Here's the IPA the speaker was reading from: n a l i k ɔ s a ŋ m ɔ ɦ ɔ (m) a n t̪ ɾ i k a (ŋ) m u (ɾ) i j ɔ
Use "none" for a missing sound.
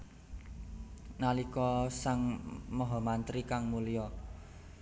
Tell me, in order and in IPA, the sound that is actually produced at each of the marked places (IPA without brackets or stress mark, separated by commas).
m, ŋ, l